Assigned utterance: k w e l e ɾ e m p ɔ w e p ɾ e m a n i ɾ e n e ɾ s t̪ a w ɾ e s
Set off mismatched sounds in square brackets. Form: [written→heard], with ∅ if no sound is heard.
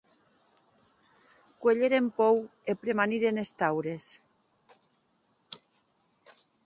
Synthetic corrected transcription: k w e [l→ʎ] e ɾ e m p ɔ w e p ɾ e m a n i ɾ e n e [ɾ→∅] s t̪ a w ɾ e s